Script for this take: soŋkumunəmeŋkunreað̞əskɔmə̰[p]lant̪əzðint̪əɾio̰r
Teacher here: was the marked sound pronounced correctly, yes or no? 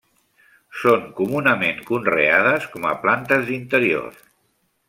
yes